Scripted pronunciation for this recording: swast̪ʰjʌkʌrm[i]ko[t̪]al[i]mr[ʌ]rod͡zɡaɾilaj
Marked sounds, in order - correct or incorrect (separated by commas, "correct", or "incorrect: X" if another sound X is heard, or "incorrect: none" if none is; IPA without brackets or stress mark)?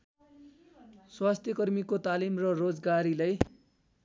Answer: correct, correct, correct, correct